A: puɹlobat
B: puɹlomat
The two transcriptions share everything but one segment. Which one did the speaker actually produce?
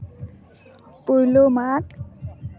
B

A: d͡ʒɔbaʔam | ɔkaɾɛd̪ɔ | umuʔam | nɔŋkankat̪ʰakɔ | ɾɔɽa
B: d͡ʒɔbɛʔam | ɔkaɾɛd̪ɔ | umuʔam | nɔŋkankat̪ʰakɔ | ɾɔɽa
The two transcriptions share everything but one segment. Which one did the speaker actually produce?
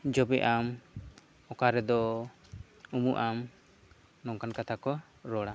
B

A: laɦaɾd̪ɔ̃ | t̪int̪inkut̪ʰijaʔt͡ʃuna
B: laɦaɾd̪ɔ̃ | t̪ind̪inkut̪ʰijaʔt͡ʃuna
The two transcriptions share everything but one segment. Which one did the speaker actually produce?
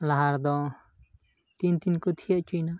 A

